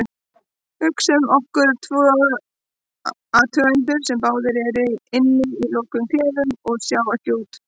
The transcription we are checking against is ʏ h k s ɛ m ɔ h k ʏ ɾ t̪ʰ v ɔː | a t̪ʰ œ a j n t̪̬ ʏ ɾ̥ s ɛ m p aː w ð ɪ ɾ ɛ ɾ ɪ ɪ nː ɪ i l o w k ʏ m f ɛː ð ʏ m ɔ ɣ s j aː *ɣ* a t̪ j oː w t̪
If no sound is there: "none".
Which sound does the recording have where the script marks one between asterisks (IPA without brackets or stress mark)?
w